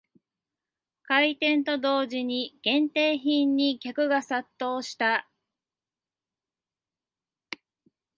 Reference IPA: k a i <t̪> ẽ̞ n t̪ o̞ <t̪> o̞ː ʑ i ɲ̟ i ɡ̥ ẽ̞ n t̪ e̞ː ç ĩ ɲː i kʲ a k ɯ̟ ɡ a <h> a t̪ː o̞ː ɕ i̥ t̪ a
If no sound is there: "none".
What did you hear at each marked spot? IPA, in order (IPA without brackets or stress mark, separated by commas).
t̪, d̪, s